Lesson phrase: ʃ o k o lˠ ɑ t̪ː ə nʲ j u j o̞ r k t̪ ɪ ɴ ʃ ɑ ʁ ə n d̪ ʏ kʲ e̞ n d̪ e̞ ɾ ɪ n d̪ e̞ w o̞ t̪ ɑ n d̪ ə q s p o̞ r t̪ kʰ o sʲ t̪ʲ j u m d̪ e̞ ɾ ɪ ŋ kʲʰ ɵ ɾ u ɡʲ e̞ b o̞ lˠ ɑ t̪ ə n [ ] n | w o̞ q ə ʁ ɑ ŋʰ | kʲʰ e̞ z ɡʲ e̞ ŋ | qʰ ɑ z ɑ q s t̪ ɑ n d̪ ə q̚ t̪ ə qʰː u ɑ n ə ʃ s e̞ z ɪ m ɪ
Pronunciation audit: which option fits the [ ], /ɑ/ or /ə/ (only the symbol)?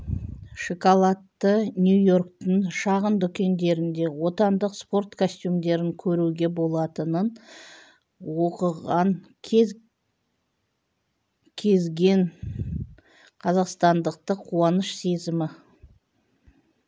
ə